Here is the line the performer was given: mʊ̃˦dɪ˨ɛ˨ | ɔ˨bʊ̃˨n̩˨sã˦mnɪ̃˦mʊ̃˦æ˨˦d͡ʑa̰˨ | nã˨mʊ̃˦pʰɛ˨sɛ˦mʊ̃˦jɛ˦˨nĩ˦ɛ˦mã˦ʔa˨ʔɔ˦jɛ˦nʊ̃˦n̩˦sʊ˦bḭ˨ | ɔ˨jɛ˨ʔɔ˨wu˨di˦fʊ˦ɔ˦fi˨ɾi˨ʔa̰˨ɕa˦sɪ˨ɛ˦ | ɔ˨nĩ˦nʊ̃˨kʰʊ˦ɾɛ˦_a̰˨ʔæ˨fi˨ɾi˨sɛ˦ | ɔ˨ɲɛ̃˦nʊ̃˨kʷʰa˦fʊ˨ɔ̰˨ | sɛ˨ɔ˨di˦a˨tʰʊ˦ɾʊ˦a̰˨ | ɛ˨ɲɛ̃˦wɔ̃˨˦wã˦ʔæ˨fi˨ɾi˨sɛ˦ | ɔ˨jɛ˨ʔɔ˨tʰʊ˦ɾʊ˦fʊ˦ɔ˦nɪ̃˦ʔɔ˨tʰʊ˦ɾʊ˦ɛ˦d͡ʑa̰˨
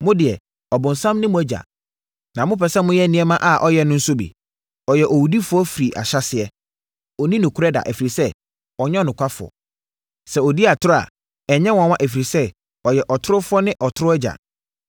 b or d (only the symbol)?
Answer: d